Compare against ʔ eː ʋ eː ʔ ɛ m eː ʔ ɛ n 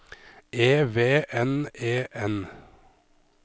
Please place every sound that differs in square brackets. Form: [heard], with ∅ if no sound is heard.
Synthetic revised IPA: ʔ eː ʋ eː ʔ ɛ [n] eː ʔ ɛ n

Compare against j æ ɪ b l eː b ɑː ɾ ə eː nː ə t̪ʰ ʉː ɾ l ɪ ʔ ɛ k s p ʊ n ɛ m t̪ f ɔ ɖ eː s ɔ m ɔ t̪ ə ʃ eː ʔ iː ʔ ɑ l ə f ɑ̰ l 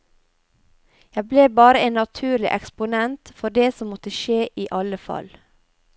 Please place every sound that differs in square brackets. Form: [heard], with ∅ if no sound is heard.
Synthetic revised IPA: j æ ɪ b l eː b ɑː ɾ ə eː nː [ɑ] t̪ʰ ʉː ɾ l ɪ ʔ ɛ k s p ʊ n ɛ [n] t̪ f ɔ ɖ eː s ɔ m ɔ t̪ ə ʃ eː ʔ iː ʔ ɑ l ə f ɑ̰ l

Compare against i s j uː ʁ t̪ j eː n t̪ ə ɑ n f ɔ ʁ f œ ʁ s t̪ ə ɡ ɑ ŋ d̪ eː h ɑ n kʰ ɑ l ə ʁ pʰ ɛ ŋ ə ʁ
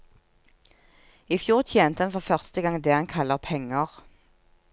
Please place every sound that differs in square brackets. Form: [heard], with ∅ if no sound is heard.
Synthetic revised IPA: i [f] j uː ʁ [t̪ʰ] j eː n t̪ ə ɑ n f ɔ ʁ f œ ʁ s t̪ ə ɡ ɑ ŋ d̪ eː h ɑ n kʰ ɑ l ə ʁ pʰ ɛ ŋ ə ʁ

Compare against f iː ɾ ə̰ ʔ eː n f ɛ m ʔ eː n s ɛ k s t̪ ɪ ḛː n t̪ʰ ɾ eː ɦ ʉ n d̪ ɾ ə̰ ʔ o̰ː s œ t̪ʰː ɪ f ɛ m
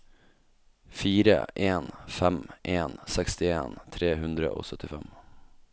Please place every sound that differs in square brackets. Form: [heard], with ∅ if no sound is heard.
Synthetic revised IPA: f iː ɾ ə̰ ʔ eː n f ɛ m ʔ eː n s ɛ k s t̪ ɪ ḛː n t̪ʰ ɾ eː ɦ ʉ n d̪ ɾ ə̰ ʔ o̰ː s œ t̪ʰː ɪ f ɛ m

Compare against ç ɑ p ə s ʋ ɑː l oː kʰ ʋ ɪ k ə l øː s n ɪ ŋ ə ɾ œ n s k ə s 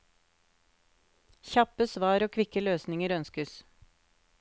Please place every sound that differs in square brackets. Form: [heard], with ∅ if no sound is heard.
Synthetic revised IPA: ç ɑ p ə s ʋ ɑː [ɾ] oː kʰ ʋ ɪ k ə l øː s n ɪ ŋ ə ɾ œ n s k ə s

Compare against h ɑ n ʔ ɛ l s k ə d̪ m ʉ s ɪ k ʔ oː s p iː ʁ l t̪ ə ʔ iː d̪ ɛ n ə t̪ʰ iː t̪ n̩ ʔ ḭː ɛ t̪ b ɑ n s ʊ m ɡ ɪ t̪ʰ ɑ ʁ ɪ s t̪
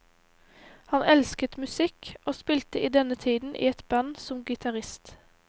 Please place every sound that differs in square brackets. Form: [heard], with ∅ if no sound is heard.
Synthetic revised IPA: h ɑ n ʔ ɛ l s k ə [t̪] m ʉ s ɪ k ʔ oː s p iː [∅] l t̪ ə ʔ iː d̪ ɛ n ə t̪ʰ iː [d̪] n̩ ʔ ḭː ɛ t̪ b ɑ n s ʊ m ɡ ɪ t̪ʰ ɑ ʁ ɪ s t̪

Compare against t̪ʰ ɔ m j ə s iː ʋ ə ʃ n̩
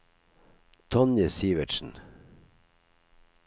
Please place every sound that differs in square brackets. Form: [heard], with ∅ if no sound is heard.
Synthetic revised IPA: t̪ʰ ɔ [n] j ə s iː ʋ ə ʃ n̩

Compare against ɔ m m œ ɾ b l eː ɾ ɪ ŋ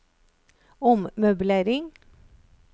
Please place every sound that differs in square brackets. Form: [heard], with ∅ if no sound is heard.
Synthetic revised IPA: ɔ m m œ [∅] b l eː ɾ ɪ ŋ

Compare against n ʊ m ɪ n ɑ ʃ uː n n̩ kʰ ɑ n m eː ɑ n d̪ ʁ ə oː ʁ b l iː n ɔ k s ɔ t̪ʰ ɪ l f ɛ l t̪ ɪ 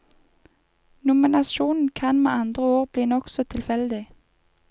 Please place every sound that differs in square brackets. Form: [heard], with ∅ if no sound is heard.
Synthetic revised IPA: n ʊ m ɪ n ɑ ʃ uː n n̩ kʰ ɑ n m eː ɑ n d̪ ʁ ə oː ʁ b l iː n ɔ k s ɔ t̪ʰ ɪ l f ɛ l [d̪] ɪ

